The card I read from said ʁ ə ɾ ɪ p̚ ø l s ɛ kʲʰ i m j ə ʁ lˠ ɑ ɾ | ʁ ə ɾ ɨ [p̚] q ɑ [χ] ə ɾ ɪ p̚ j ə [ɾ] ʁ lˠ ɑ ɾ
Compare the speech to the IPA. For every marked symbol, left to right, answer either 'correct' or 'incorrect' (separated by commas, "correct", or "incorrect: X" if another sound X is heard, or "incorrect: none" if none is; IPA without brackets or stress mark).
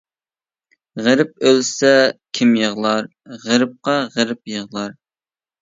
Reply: correct, incorrect: ʁ, incorrect: none